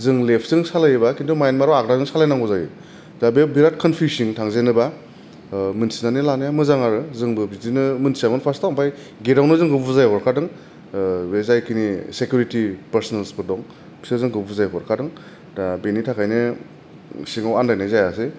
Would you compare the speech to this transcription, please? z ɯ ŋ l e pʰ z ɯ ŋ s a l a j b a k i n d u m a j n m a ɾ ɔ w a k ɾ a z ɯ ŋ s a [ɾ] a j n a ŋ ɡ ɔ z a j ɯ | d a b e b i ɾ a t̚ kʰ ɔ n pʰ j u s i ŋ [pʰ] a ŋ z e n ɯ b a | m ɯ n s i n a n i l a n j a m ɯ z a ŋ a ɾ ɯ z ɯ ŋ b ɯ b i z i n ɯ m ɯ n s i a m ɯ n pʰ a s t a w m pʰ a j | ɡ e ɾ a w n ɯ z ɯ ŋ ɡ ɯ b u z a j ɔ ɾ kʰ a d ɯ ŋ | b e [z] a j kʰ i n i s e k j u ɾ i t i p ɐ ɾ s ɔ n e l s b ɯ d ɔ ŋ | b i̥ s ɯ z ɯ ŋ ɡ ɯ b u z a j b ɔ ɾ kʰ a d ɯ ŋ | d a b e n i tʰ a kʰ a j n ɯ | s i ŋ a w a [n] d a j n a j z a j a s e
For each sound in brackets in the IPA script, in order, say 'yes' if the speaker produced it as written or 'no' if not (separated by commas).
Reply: no, no, yes, yes